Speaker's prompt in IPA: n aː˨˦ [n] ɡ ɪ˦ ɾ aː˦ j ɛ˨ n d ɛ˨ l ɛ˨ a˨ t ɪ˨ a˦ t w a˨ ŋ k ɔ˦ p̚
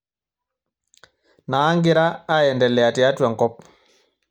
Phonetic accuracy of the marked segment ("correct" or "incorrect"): incorrect